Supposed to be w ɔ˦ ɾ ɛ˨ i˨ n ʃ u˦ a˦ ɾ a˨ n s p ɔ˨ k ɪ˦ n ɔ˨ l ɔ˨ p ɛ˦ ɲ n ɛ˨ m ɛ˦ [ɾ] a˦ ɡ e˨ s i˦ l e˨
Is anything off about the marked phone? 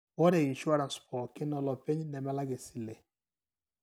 yes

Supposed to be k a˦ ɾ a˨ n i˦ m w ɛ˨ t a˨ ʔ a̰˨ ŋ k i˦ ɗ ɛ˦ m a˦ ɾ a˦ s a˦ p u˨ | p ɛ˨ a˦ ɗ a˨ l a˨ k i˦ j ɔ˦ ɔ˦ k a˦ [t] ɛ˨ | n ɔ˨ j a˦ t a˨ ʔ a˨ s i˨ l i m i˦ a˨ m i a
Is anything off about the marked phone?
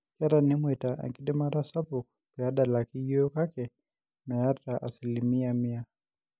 yes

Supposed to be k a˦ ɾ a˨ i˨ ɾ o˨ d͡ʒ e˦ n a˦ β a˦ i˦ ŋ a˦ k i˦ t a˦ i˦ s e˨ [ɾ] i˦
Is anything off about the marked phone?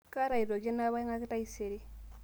no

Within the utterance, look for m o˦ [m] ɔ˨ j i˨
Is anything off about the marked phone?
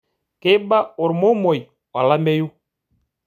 no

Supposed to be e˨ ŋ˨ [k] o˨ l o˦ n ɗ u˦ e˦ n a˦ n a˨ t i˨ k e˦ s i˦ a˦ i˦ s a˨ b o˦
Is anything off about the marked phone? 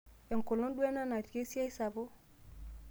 no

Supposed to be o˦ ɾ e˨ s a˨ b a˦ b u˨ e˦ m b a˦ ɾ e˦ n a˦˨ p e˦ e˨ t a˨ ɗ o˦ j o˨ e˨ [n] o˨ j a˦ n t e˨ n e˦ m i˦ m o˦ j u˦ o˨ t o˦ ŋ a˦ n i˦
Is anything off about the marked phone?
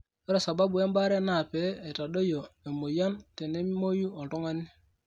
yes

